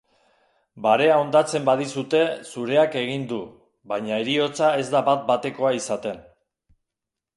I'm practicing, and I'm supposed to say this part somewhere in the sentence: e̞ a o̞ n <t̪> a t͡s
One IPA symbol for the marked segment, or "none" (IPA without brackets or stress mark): d̪